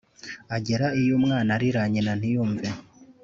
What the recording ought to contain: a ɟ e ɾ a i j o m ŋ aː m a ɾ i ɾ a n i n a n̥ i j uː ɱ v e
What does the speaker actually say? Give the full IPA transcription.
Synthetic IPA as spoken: a ɟ e ɾ a i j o m ŋ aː n a ɾ i ɾ a ɲ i n a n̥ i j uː ɱ v e